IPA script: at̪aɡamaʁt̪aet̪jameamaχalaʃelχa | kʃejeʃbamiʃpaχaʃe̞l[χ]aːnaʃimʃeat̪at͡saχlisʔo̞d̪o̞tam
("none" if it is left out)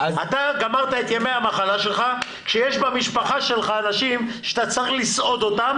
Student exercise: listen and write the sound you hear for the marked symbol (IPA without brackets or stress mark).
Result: χ